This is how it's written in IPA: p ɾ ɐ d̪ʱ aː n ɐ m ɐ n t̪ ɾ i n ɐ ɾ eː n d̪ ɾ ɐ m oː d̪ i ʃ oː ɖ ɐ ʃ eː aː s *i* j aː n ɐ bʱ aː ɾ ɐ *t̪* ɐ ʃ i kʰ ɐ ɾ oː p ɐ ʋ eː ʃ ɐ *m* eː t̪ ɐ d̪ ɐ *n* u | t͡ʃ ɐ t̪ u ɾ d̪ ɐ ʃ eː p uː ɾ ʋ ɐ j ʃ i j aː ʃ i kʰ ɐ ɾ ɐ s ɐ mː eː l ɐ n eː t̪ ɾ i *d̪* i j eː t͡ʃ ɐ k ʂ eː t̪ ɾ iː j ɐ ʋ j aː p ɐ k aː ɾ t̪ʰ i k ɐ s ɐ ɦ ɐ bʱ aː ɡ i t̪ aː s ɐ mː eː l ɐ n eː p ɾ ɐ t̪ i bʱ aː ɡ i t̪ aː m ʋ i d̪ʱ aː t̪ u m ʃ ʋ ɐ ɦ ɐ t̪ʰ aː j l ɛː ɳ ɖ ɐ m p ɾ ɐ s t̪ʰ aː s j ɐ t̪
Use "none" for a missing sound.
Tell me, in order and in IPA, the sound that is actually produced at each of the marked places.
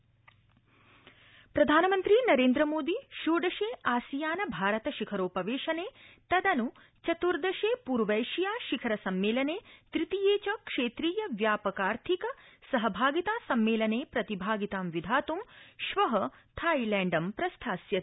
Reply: i, t̪, n, n, t̪

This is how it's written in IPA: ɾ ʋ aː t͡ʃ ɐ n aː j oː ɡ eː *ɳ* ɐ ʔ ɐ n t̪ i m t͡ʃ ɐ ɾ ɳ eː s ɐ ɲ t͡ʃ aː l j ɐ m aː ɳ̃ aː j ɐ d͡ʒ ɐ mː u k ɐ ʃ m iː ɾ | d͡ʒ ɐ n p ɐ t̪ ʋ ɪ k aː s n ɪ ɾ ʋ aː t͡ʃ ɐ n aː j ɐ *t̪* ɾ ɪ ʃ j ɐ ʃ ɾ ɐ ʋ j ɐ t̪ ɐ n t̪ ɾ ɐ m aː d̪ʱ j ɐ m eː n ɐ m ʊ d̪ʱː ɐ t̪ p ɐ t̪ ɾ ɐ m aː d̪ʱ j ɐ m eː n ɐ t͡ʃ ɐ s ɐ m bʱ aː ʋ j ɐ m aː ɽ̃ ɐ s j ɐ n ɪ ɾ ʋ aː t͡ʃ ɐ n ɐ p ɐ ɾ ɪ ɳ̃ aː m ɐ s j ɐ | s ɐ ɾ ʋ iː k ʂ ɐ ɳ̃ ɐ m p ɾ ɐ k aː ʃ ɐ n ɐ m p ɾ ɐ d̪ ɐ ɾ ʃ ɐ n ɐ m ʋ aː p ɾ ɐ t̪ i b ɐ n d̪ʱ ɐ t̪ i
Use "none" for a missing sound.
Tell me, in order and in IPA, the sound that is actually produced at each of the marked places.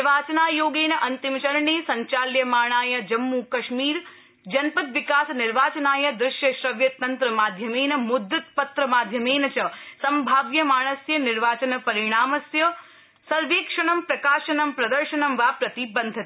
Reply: n, d̪

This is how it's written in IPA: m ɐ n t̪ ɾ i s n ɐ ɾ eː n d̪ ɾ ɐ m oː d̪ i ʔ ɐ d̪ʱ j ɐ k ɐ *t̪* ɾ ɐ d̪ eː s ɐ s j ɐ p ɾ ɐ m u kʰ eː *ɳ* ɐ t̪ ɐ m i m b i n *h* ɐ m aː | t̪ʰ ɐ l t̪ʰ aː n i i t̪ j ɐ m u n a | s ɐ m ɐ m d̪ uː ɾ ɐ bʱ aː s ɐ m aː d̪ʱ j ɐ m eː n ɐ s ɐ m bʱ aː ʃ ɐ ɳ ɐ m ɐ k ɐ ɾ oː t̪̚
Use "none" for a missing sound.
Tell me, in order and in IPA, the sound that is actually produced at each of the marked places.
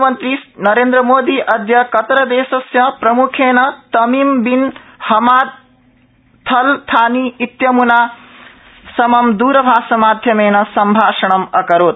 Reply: t̪, n, h

